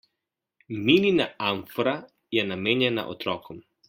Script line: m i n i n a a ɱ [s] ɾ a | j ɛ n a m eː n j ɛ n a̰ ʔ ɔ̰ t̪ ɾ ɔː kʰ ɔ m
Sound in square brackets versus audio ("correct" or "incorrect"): incorrect